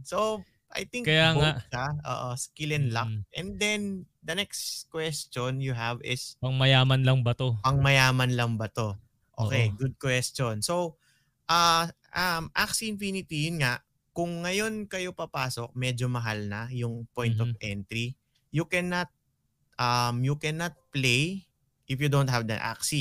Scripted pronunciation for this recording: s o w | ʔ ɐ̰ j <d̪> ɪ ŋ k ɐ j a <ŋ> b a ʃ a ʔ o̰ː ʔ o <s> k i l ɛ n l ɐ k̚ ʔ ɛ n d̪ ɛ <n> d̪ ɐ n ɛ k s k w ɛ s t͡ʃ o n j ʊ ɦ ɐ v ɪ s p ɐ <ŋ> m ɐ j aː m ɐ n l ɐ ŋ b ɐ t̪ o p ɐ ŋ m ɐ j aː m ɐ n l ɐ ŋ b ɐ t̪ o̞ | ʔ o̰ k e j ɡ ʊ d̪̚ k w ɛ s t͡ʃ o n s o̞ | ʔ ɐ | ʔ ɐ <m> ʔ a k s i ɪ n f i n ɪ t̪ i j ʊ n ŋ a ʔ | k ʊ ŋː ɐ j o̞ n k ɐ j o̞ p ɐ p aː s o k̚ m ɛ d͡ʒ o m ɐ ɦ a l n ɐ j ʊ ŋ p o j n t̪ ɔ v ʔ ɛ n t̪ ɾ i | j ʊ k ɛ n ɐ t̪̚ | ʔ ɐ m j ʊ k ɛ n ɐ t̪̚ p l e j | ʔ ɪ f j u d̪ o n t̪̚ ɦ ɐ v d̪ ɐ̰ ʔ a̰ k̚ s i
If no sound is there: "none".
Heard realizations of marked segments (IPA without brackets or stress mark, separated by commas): t̪, ŋ, s, n, ŋ, m